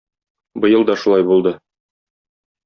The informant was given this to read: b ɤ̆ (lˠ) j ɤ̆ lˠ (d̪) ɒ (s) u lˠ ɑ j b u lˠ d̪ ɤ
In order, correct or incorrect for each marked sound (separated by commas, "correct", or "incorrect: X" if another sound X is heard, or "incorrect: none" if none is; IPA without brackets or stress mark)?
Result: incorrect: none, correct, incorrect: ʃ